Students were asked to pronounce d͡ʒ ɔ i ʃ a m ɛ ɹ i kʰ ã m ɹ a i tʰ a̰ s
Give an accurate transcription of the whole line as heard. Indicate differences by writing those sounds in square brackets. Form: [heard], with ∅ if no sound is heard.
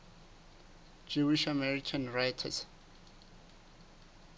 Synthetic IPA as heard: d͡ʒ [u] i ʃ a m ɛ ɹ i kʰ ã [n] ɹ a [j] tʰ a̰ s